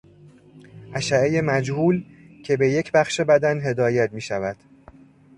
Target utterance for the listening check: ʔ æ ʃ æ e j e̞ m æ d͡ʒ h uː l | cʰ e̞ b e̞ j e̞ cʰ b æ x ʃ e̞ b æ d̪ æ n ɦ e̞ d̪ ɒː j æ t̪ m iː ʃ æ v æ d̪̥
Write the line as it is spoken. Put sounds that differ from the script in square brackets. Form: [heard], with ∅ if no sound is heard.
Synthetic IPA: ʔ æ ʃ æ e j e̞ m æ d͡ʒ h uː l | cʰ e̞ b e̞ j e̞ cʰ b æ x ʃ e̞ b æ d̪ æ n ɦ e̞ d̪ ɒː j æ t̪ m iː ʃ æ v æ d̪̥